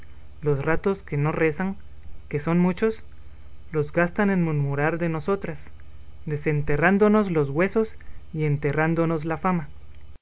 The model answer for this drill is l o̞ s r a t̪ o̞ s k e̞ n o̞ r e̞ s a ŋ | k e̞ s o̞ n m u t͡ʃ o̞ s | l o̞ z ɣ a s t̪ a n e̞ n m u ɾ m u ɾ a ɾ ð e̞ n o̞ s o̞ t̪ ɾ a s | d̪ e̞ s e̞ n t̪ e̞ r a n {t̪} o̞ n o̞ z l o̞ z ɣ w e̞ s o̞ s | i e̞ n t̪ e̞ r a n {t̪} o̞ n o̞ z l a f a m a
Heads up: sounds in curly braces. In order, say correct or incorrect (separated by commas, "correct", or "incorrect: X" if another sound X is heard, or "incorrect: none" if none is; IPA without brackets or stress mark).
incorrect: d̪, incorrect: d̪